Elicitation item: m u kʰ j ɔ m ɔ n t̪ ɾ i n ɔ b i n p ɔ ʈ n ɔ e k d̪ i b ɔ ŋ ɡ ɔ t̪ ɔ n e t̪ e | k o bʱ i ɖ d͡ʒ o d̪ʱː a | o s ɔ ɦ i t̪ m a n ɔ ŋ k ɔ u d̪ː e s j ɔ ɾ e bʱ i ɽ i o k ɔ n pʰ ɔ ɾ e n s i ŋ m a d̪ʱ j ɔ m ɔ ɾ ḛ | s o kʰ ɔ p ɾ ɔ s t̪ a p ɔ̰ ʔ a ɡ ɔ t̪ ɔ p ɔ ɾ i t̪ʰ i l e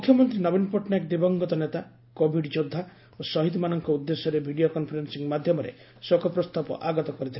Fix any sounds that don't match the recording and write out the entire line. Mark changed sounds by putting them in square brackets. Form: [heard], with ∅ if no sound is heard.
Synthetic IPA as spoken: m u kʰ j ɔ m ɔ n t̪ ɾ i n ɔ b i n p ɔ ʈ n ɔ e k d̪ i b ɔ ŋ ɡ ɔ t̪ ɔ n e t̪ [a] | k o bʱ i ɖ d͡ʒ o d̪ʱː a | o s ɔ ɦ i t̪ m a n ɔ ŋ k ɔ u d̪ː e s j ɔ ɾ e bʱ i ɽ i o k ɔ n pʰ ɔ ɾ e n s i ŋ m a d̪ʱ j ɔ m ɔ ɾ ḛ | s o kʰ ɔ p ɾ ɔ s t̪ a p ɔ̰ ʔ a ɡ ɔ t̪ ɔ [k] ɔ ɾ i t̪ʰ i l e